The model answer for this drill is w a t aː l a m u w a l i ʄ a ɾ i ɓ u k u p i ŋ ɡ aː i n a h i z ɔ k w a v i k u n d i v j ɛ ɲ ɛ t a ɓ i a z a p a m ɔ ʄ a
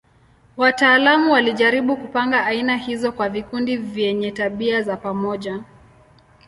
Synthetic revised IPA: w a t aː l a m u w a l i ʄ a ɾ i ɓ u k u p a ŋ ɡ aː i n a h i z ɔ k w a v i k u n d i v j ɛ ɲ ɛ t a ɓ i a z a p a m ɔ ʄ a